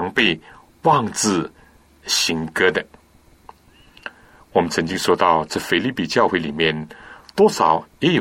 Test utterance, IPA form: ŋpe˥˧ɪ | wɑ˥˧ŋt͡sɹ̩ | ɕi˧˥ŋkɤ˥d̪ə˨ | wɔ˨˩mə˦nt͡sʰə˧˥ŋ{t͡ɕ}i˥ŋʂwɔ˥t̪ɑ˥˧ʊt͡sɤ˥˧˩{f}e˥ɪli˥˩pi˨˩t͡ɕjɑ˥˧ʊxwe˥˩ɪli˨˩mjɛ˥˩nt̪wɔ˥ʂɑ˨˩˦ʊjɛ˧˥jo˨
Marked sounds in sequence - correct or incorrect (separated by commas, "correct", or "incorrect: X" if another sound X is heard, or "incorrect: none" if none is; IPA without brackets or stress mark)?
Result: correct, correct